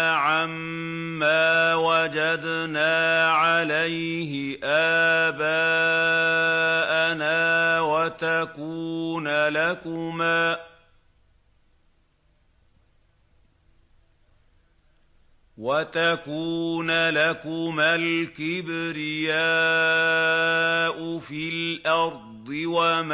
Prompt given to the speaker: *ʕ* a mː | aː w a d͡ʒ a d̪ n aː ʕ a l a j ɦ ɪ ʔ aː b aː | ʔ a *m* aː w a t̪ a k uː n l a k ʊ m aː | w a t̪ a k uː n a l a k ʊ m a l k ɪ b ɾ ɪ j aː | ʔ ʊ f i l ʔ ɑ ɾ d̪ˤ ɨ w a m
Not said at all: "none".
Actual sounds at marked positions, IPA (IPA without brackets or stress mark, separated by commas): ʕ, n